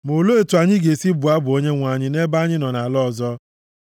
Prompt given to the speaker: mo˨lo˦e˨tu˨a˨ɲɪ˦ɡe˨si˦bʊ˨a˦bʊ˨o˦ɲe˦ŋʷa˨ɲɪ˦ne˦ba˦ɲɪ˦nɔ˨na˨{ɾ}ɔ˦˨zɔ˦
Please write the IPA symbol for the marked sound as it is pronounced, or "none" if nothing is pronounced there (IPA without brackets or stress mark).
l